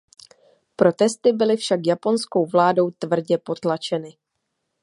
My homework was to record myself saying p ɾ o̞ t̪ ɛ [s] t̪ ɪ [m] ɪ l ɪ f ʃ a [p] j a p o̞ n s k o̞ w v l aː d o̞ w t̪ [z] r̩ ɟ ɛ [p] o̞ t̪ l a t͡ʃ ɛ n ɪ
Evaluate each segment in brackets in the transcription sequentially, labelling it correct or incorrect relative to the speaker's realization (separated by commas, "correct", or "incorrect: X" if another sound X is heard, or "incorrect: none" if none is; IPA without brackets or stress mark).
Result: correct, incorrect: b, incorrect: k, incorrect: v, correct